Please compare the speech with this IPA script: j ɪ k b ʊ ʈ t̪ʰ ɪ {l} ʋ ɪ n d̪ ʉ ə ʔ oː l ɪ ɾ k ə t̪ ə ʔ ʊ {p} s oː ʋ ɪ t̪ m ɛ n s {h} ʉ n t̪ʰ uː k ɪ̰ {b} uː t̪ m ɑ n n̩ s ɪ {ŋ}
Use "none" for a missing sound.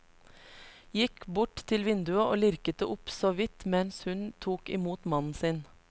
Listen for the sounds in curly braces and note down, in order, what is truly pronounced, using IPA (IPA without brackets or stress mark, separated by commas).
l, p, h, m, n